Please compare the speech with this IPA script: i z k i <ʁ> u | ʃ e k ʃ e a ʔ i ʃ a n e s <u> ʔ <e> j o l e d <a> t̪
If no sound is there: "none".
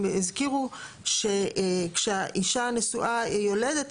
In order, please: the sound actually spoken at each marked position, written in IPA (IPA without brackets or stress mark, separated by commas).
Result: ʁ, u, a, e